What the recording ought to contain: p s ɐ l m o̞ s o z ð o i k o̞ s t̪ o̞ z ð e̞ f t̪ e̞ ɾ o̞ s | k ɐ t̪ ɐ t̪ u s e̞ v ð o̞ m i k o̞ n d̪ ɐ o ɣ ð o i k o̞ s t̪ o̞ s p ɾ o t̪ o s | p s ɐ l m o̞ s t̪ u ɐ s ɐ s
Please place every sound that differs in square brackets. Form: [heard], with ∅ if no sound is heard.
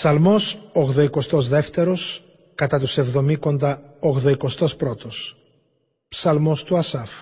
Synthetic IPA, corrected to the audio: p s ɐ l m o̞ s o [ɣ] ð o i k o̞ s t̪ o̞ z ð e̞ f t̪ e̞ ɾ o̞ s | k ɐ t̪ ɐ t̪ u s e̞ v ð o̞ m i k o̞ n d̪ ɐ o ɣ ð o i k o̞ s t̪ o̞ s p ɾ o t̪ o s | p s ɐ l m o̞ s t̪ u ɐ s ɐ [f]